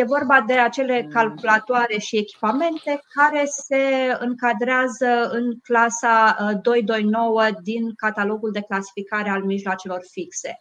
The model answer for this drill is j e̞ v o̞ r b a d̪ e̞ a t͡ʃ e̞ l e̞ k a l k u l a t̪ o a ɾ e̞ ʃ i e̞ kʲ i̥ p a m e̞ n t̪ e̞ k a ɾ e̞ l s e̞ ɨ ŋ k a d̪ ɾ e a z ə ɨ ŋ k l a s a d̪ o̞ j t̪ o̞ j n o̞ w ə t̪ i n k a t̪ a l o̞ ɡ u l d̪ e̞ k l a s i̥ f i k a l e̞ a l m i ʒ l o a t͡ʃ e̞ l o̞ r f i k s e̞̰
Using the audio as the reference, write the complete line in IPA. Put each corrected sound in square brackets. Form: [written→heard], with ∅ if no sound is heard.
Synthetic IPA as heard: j e̞ v o̞ r b a d̪ e̞ a t͡ʃ e̞ l e̞ k a l k u l a t̪ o a ɾ e̞ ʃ i e̞ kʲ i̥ p a m e̞ n t̪ e̞ k a ɾ e̞ [l→∅] s e̞ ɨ ŋ k a d̪ ɾ e a z ə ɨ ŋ k l a s a d̪ o̞ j [t̪→d̪] o̞ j n o̞ w ə [t̪→d̪] i n k a t̪ a l o̞ ɡ u l d̪ e̞ k l a s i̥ f i k a [l→ɾ] e̞ a l m i ʒ l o a t͡ʃ e̞ l o̞ r f i k s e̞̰